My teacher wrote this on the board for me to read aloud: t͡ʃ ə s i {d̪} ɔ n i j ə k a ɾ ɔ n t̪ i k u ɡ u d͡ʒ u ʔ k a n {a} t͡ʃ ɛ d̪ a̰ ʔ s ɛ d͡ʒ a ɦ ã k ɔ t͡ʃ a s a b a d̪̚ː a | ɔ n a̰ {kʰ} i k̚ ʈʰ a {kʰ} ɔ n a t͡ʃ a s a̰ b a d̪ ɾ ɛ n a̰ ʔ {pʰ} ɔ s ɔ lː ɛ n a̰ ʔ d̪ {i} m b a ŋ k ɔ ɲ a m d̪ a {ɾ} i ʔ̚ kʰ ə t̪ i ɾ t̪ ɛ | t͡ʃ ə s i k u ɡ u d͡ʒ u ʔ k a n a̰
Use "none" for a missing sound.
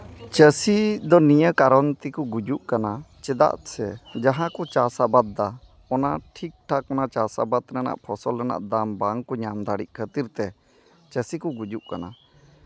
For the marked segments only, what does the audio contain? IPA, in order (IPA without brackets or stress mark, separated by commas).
d̪, a, ʈʰ, k, pʰ, a, ɽ